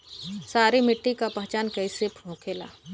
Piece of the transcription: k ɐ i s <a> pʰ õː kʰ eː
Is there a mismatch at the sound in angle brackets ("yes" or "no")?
yes